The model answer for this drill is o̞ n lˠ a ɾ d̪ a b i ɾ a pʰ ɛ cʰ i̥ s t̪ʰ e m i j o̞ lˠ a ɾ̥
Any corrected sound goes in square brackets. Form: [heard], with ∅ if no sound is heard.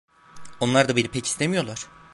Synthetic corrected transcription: o̞ n lˠ a ɾ d̪ a b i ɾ [i] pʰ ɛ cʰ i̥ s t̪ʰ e m i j o̞ lˠ a ɾ̥